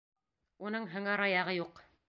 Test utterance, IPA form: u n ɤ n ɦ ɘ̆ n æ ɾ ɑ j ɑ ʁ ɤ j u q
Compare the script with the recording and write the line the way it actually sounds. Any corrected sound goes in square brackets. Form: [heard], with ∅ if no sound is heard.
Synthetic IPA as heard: u n ɤ [ɴ] ɦ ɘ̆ [ŋ] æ ɾ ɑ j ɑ ʁ ɤ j u q